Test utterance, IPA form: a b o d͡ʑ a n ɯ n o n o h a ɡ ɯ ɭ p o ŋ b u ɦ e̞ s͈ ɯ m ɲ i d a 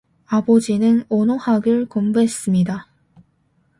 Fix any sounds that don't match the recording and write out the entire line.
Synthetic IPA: a b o d͡ʑ i n ɯ n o n o h a ɡ ɯ ɭ k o m b u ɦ e̞ s͈ ɯ m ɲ i d a

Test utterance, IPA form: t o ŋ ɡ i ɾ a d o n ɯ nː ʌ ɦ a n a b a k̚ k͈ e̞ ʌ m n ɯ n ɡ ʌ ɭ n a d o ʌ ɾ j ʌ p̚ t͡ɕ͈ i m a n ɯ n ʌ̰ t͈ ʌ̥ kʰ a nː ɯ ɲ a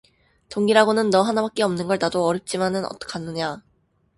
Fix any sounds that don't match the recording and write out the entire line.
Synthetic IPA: t o ŋ ɡ i ɾ a ɡ o n ɯ nː ʌ ɦ a n a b a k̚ k͈ e̞ ʌ m n ɯ n ɡ ʌ ɭ n a d o ʌ ɾ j ʌ p̚ t͡ɕ͈ i m a n ɯ n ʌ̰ t͈ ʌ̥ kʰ a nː ɯ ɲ a

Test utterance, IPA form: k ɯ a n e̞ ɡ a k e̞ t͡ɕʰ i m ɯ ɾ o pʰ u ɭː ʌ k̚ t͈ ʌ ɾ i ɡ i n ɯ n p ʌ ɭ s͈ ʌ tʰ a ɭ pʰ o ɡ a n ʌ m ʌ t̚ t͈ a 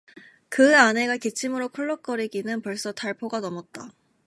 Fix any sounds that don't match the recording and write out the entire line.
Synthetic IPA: k ɯ a n e̞ ɡ a k e̞ t͡ɕʰ i m ɯ ɾ o kʰ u ɭː ʌ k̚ k͈ ʌ ɾ i ɡ i n ɯ n p ʌ ɭ s͈ ʌ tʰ a ɭ pʰ o ɡ a n ʌ m ʌ t̚ t͈ a

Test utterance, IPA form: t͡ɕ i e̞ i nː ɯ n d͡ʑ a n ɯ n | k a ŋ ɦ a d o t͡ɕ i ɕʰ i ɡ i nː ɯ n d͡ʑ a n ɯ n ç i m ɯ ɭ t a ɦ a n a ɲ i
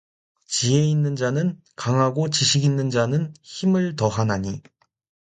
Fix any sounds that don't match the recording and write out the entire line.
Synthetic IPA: t͡ɕ i e̞ i nː ɯ n d͡ʑ a n ɯ n | k a ŋ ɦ a ɡ o t͡ɕ i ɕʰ i ɡ i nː ɯ n d͡ʑ a n ɯ n ç i m ɯ ɭ t ʌ ɦ a n a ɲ i

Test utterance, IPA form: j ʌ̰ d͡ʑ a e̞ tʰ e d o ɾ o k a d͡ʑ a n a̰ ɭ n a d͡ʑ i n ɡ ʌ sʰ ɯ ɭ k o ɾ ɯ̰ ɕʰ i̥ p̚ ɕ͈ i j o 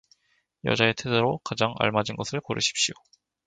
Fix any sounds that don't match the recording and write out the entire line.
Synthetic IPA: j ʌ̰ d͡ʑ a e̞ tʰ e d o ɾ o k a d͡ʑ a ŋ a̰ ɭ m a d͡ʑ i n ɡ ʌ sʰ ɯ ɭ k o ɾ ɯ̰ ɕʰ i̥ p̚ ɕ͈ i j o

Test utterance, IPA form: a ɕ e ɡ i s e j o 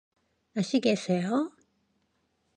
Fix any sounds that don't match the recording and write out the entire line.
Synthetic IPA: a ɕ i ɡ e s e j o

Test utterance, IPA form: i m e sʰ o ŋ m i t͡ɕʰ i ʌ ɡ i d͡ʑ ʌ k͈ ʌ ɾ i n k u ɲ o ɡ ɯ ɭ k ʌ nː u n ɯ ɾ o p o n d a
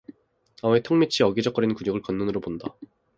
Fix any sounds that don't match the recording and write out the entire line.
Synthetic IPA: a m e tʰ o ŋ m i t͡ɕʰ i ʌ ɡ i d͡ʑ ʌ k͈ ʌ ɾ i n k u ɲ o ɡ ɯ ɭ k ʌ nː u n ɯ ɾ o p o n d a

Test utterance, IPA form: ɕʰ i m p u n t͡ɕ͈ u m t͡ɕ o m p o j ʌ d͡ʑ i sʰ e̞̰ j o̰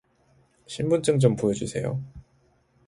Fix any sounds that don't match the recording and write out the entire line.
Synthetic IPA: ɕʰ i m b u n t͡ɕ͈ ɯ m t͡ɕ o m p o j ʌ d͡ʑ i sʰ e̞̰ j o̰

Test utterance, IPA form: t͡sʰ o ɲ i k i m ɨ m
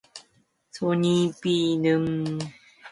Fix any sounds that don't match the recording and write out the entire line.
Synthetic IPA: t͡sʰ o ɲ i p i n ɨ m

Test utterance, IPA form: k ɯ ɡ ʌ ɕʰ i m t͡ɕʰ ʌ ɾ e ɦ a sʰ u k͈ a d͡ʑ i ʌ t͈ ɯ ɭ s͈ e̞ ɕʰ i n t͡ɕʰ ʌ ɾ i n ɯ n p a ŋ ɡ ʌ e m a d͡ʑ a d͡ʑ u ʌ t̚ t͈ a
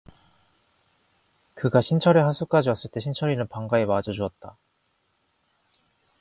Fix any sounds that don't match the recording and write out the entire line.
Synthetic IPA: k ɯ ɡ a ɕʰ i n t͡ɕʰ ʌ ɾ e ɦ a sʰ u k͈ a d͡ʑ i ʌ s͈ ɯ ɭ t͈ e̞ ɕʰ i n t͡ɕʰ ʌ ɾ i n ɯ n p a ŋ ɡ a e m a d͡ʑ ʌ d͡ʑ u ʌ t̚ t͈ a

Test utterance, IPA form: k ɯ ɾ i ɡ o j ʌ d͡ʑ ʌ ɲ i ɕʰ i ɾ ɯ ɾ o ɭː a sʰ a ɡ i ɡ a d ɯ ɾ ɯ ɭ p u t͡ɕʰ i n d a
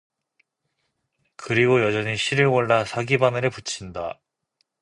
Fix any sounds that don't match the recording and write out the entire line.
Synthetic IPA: k ɯ ɾ i ɡ o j ʌ d͡ʑ ʌ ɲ i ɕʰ i ɾ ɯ ɭ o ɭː a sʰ a ɡ i b a n ɯ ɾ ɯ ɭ p u t͡ɕʰ i n d a

